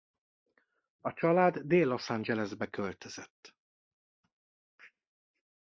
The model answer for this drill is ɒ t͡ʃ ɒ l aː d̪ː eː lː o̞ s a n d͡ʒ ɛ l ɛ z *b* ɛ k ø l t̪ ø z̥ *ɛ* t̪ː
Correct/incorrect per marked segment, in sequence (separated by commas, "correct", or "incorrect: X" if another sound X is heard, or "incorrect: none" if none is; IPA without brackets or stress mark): correct, correct